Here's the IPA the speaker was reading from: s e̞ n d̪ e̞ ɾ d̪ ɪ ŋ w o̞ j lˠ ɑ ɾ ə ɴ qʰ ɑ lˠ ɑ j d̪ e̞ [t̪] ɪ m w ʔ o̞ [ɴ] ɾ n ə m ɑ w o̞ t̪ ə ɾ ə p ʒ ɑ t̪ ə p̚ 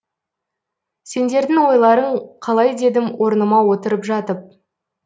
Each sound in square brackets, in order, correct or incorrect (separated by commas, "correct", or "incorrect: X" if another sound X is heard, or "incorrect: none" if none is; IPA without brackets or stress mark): incorrect: d̪, incorrect: none